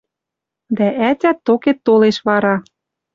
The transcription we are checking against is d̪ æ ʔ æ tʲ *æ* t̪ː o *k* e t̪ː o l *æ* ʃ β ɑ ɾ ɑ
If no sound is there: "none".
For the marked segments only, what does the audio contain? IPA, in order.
æ, k, e

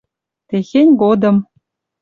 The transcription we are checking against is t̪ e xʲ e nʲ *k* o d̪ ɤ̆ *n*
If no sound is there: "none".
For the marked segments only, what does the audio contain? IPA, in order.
ɡ, m

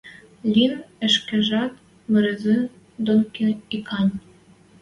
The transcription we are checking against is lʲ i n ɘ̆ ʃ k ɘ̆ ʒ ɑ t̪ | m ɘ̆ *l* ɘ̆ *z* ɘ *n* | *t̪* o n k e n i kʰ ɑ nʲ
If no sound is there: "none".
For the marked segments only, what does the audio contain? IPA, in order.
ɾ, z, n, d̪

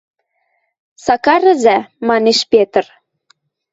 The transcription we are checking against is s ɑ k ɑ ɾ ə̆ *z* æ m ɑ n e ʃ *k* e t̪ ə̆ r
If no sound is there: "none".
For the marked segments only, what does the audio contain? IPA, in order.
z, p

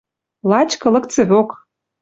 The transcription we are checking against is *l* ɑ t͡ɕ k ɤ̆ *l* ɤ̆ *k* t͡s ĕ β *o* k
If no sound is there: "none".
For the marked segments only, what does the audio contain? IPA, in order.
l, l, k, o

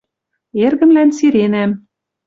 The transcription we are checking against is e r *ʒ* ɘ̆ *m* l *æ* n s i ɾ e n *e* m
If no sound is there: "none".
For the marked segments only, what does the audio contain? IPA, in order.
ɣ, m, æ, æ

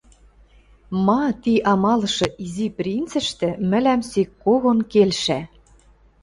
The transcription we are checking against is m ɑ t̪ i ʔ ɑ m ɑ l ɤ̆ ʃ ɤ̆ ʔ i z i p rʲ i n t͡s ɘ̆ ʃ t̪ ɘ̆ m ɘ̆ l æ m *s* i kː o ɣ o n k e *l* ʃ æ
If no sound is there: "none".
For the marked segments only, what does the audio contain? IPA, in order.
s, l

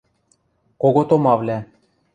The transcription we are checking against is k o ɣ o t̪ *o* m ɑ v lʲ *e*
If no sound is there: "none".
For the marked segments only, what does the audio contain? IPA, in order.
o, æ

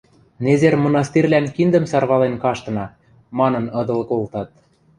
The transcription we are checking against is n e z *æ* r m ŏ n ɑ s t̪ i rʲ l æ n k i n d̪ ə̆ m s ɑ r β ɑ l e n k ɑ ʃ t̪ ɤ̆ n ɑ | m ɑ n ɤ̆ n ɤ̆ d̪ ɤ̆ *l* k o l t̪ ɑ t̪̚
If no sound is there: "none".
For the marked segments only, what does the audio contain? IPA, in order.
e, l

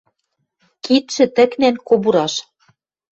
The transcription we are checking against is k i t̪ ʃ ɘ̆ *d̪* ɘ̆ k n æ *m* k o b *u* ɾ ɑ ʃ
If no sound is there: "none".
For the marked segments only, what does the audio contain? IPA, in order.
t̪, n, u

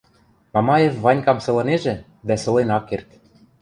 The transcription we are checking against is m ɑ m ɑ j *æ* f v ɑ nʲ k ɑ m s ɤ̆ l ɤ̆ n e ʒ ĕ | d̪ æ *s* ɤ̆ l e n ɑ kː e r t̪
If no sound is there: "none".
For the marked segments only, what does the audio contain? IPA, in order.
e, s

